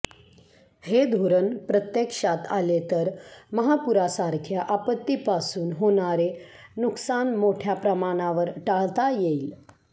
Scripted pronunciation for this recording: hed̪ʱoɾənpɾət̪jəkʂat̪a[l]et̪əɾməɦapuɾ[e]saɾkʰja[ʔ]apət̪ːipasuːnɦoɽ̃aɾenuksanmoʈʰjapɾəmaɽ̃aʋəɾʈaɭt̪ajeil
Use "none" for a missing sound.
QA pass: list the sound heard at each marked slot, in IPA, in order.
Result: l, a, ʔ

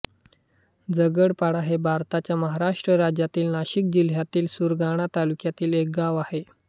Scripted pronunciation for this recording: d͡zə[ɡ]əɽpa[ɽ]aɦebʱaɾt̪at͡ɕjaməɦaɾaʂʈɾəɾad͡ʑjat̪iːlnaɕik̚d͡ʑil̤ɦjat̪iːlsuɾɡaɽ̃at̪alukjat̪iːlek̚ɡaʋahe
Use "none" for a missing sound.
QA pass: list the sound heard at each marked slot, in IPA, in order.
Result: ɡ, ɽ

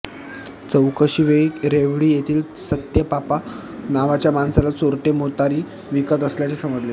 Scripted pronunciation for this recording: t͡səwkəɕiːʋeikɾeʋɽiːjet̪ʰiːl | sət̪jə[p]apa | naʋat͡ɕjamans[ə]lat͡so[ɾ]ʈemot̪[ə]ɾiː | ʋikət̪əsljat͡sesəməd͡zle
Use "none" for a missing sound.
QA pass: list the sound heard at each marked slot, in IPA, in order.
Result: p, a, ɾ, a

